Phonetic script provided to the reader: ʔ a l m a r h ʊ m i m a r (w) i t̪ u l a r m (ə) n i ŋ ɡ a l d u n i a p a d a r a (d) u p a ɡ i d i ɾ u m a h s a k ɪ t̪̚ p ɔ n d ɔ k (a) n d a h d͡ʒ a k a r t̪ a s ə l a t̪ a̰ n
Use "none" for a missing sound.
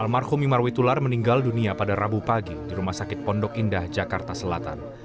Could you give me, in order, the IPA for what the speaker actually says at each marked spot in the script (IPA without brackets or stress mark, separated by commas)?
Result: w, ə, b, i